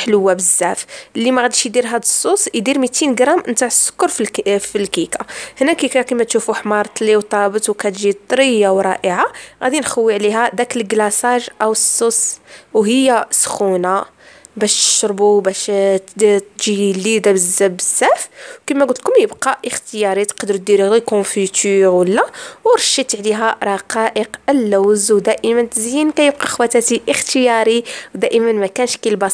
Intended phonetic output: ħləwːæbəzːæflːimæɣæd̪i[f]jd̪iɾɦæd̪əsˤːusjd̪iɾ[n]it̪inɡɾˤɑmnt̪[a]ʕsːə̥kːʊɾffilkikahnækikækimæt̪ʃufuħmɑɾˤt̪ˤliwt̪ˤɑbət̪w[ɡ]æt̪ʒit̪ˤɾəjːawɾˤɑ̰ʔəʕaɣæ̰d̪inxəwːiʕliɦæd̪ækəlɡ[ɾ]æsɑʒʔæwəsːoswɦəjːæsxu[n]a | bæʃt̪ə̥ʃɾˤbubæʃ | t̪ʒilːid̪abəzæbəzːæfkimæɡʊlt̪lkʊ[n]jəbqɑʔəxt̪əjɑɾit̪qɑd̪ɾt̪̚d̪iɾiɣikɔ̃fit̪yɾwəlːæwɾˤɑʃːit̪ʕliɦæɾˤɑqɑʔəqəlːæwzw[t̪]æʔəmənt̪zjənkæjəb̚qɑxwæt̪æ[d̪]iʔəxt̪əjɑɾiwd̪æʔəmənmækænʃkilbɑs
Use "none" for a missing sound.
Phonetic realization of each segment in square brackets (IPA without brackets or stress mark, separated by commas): ʃ, m, a, k, l, n, m, d̪, t̪